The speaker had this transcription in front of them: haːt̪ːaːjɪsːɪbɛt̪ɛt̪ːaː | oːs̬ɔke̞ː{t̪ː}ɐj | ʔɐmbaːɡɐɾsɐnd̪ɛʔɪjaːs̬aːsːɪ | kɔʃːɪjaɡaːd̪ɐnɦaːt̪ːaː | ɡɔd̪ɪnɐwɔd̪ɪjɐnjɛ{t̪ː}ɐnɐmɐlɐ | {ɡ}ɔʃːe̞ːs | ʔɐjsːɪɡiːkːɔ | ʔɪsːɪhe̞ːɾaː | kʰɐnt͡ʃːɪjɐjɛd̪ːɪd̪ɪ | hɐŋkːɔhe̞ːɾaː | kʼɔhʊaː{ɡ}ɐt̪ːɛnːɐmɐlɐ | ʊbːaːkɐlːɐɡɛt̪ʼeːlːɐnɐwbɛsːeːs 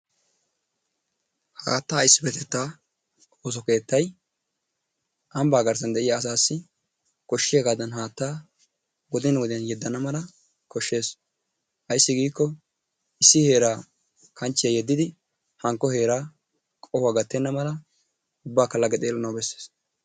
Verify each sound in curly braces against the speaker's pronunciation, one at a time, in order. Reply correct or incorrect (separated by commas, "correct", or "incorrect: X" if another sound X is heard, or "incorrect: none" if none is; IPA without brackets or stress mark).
correct, incorrect: d̪ː, incorrect: k, correct